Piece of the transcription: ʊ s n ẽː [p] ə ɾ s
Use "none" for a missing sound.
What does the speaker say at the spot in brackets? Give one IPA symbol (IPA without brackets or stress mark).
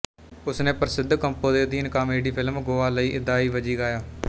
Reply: p